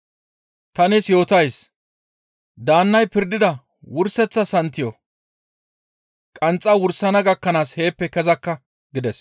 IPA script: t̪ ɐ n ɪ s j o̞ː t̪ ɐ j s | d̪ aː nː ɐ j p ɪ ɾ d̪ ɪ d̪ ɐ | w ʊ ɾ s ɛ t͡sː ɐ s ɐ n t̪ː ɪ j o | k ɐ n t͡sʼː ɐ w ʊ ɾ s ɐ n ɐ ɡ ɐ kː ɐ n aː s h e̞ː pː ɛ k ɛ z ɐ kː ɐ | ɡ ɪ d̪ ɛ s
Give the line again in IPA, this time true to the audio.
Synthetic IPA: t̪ ɐ n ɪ s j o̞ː t̪ ɐ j s | d̪ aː nː ɐ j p ɪ ɾ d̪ ɪ d̪ ɐ | w ʊ ɾ s ɛ t͡sː ɐ s ɐ n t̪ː ɪ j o | kʼ ɐ n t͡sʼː ɐ w ʊ ɾ s ɐ n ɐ ɡ ɐ kː ɐ n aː s h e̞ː pː ɛ k ɛ z ɐ kː ɐ | ɡ ɪ d̪ ɛ s

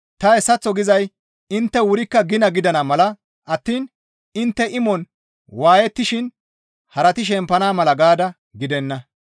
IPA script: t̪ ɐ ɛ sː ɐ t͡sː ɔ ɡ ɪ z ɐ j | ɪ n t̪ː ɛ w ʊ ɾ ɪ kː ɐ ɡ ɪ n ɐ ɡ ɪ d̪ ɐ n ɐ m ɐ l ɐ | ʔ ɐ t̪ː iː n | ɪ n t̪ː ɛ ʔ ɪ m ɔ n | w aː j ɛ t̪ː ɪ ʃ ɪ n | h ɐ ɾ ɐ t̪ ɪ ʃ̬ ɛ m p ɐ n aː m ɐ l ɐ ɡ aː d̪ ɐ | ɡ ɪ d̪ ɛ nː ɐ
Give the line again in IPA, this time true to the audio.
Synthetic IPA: t̪ ɐ ɛ sː ɐ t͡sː ɔ ɡ ɪ z ɐ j | ɪ n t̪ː ɛ w ʊ ɾ ɪ kː ɐ ɡ ɪ n ɐ ɡ ɪ d̪ ɐ n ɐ m ɐ l ɐ | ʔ ɐ t̪ː iː n | ɪ n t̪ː ɛ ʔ ɪ m ɔ n | w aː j ɛ t̪ː ɪ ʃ ɪ n | h ɐ ɾ ɐ t̪ ɪ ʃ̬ ɛ m p ɐ n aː m ɐ l ɐ ɡ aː d̪ ɐ | ɡ ɪ d̪ ɛ nː ɐ

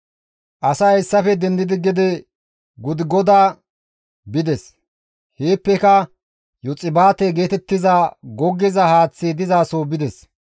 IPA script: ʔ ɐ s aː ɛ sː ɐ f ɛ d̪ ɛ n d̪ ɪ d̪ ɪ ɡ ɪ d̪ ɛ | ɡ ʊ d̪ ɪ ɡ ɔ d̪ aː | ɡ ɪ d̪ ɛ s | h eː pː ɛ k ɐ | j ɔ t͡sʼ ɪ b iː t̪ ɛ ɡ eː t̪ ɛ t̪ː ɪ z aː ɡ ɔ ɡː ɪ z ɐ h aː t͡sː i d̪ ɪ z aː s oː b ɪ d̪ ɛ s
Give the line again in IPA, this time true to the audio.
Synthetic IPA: ʔ ɐ s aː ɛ sː ɐ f ɛ d̪ ɛ n d̪ ɪ d̪ ɪ ɡ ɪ d̪ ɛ | ɡ ʊ d̪ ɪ ɡ ɔ d̪ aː | b ɪ d̪ ɛ s | h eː pː ɛ k ɐ | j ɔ t͡sʼ ɪ b aː t̪ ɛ ɡ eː t̪ ɛ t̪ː ɪ z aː ɡ ɔ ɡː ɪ z ɐ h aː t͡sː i d̪ ɪ z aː s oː b ɪ d̪ ɛ s

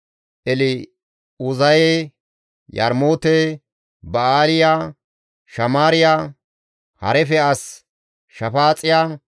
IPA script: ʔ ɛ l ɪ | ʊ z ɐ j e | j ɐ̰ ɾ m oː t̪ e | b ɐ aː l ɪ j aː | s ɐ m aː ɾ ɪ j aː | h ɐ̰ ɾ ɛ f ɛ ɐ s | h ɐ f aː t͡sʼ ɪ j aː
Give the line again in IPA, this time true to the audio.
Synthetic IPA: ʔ ɛ l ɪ | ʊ z ɐ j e | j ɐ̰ ɾ m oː t̪ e | b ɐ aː l ɪ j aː | ʃ ɐ m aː ɾ ɪ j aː | h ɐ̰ ɾ ɛ f ɛ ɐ s | ʃ ɐ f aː t͡sʼ ɪ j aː

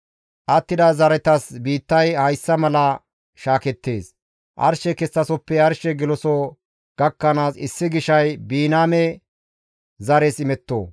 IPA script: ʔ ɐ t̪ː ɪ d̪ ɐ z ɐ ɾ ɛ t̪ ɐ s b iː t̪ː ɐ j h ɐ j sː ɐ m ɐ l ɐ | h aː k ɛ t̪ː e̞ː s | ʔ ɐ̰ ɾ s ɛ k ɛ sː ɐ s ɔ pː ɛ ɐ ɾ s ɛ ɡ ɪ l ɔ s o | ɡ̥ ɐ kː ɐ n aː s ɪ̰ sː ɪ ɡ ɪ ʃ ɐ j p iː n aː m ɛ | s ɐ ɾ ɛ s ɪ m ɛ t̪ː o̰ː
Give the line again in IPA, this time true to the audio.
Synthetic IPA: ʔ ɐ t̪ː ɪ d̪ ɐ z ɐ ɾ ɛ t̪ ɐ s b iː t̪ː ɐ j h ɐ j sː ɐ m ɐ l ɐ | ʃ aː k ɛ t̪ː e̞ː s | ʔ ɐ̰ ɾ ʃ ɛ k ɛ sː ɐ s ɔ pː ɛ ɐ ɾ ʃ ɛ ɡ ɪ l ɔ s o | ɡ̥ ɐ kː ɐ n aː s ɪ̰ sː ɪ ɡ ɪ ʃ ɐ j b iː n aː m ɛ | z ɐ ɾ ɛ s ɪ m ɛ t̪ː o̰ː

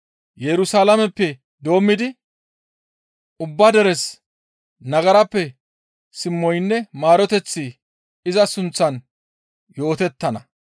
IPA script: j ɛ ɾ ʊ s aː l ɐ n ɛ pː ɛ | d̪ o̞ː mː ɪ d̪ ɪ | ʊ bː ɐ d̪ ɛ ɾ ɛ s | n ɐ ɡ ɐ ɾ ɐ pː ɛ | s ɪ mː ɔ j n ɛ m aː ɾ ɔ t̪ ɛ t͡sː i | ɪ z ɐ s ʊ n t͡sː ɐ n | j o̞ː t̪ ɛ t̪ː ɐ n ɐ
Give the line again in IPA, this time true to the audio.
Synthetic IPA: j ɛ ɾ ʊ s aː l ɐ m ɛ pː ɛ | d̪ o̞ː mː ɪ d̪ ɪ | ʊ bː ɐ d̪ ɛ ɾ ɛ s | n ɐ ɡ ɐ ɾ ɐ pː ɛ | s ɪ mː ɔ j nː ɛ m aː ɾ ɔ t̪ ɛ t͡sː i | ɪ z ɐ s ʊ n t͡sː ɐ n | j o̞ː t̪ ɛ t̪ː ɐ n ɐ

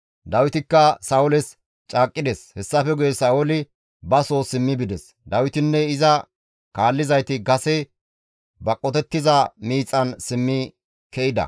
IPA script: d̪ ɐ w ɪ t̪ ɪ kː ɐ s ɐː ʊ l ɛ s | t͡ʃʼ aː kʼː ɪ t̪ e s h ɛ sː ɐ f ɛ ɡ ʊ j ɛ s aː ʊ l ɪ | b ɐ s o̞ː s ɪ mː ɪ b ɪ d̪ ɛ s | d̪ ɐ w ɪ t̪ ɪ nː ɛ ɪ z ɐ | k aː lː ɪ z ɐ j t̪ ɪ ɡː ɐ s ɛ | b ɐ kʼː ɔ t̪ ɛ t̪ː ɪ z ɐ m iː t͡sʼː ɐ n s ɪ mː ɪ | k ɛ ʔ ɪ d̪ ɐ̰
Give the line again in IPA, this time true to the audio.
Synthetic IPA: d̪ ɐ w ɪ t̪ ɪ kː ɐ s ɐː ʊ l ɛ s | t͡ʃʼ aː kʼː ɪ d̪ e s h ɛ sː ɐ f ɛ ɡ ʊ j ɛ s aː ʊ l ɪ | b ɐ s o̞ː s ɪ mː ɪ b ɪ d̪ ɛ s | d̪ ɐ w ɪ t̪ ɪ nː ɛ ɪ z ɐ | k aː lː ɪ z ɐ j t̪ ɪ ɡ ɐ s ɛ | b ɐ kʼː ɔ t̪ ɛ t̪ː ɪ z ɐ m iː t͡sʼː ɐ n s ɪ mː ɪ | k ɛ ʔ ɪ d̪ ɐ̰

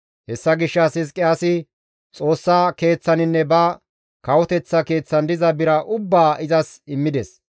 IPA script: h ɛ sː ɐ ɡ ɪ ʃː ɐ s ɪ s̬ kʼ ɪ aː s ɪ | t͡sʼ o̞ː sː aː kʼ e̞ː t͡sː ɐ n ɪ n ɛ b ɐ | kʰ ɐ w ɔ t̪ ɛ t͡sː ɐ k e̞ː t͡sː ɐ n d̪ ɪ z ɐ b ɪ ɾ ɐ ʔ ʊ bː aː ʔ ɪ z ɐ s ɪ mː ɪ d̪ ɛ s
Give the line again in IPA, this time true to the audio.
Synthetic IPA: h ɛ sː ɐ ɡ ɪ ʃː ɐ s ɪ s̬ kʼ ɪ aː s ɪ | t͡sʼ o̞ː sː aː k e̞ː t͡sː ɐ n ɪ nː ɛ b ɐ | k ɐ w ɔ t̪ ɛ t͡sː ɐ k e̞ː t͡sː ɐ n d̪ ɪ z ɐ b ɪ ɾ ɐ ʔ ʊ bː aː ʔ ɪ z ɐ s ɪ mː ɪ d̪ ɛ s

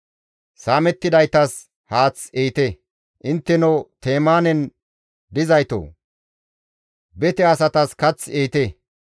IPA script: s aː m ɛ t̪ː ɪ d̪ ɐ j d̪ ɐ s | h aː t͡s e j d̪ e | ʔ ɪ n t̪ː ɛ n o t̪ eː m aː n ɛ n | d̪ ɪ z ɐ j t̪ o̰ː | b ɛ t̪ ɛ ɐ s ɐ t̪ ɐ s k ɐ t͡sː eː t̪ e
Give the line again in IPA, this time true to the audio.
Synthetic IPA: s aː m ɛ t̪ː ɪ d̪ ɐ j t̪ ɐ s | h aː t͡s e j t̪ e | ʔ ɪ n t̪ː ɛ n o t̪ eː m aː n ɛ n | d̪ ɪ z ɐ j t̪ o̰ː | b ɛ t̪ ɛ ɐ s ɐ t̪ ɐ s k ɐ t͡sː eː t̪ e

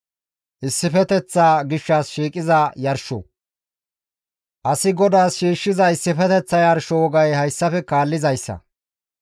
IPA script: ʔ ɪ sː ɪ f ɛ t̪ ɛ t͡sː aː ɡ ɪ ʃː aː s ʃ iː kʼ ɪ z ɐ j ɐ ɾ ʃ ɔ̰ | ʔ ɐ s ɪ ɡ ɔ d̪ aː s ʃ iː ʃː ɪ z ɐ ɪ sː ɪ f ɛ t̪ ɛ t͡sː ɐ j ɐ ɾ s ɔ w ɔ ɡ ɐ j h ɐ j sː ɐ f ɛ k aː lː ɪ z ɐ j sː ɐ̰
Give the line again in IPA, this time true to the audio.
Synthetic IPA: ʔ ɪ sː ɪ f ɛ t̪ ɛ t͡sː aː ɡ ɪ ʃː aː s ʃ iː kʼ ɪ z ɐ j ɐ ɾ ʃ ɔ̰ | ʔ ɐ s ɪ ɡ ɔ d̪ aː s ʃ iː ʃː ɪ z ɐ ɪ sː ɪ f ɛ t̪ ɛ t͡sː ɐ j ɐ ɾ ʃ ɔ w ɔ ɡ ɐ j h ɐ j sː ɐ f ɛ k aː lː ɪ z ɐ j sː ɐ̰

